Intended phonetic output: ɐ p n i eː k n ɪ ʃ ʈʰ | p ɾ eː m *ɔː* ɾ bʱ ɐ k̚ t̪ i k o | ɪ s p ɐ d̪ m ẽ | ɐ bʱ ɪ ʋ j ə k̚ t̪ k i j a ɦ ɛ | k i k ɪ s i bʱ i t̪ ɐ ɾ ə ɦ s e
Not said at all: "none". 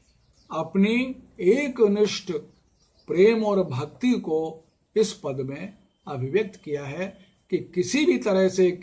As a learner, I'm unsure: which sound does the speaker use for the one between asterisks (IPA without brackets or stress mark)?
ɔː